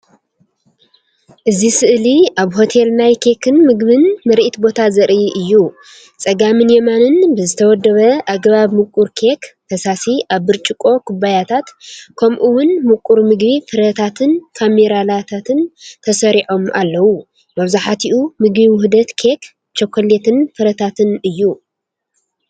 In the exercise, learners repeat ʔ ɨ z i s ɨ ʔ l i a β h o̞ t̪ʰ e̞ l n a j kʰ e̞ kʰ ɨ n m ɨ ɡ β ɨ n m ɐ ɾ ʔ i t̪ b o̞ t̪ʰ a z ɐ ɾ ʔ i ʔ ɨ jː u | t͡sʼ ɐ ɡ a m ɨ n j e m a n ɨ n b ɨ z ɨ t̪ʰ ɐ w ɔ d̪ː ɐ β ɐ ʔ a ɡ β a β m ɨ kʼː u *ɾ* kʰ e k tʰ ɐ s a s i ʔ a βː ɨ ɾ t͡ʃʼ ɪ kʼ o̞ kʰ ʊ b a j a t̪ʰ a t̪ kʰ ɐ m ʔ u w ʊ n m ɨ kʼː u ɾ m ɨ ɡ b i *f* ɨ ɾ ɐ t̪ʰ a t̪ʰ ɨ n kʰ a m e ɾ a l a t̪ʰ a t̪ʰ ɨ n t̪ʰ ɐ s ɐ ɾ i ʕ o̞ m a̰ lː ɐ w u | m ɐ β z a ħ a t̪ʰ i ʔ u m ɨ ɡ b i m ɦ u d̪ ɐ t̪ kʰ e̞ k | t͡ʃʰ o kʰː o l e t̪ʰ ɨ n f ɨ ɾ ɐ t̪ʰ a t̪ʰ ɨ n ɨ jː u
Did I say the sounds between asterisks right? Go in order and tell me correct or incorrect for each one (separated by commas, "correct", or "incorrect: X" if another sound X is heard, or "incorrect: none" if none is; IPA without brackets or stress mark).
correct, correct